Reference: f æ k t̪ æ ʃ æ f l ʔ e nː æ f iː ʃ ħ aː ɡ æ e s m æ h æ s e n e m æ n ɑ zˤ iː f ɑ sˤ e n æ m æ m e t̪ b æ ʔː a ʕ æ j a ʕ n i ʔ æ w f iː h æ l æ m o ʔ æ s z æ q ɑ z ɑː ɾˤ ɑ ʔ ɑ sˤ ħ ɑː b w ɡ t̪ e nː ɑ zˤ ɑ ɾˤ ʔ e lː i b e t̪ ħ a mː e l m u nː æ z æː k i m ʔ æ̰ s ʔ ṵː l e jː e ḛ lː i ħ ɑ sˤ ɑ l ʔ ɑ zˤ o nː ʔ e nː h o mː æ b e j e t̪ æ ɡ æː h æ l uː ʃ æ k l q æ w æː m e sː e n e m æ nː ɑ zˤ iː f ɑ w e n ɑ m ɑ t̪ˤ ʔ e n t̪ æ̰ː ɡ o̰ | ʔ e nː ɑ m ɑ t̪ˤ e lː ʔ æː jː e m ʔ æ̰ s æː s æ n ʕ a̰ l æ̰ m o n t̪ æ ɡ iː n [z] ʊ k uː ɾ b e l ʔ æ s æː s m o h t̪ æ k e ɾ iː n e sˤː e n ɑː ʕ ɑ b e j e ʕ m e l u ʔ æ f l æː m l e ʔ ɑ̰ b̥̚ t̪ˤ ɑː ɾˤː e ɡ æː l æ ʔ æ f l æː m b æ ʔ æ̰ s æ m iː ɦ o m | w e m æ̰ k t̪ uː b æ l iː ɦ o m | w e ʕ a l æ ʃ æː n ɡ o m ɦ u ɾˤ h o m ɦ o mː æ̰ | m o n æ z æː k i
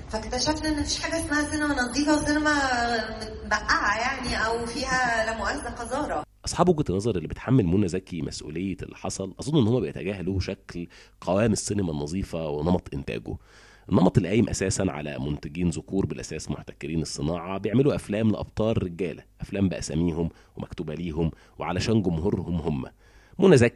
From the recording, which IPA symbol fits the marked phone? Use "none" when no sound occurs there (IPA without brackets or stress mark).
z